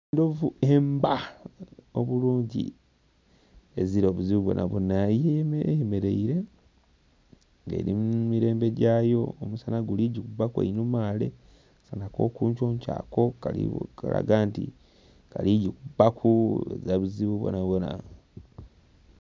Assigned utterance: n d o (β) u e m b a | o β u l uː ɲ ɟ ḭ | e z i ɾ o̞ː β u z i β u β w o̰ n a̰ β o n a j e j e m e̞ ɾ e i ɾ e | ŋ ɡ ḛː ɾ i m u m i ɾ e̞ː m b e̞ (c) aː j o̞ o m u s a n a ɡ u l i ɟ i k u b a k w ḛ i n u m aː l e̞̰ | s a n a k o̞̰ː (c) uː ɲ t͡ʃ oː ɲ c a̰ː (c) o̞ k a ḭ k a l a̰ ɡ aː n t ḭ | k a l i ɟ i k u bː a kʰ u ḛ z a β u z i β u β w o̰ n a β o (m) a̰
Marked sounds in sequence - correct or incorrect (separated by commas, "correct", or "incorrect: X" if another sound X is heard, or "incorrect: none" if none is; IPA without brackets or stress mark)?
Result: incorrect: v, incorrect: ɟ, incorrect: k, incorrect: k, incorrect: n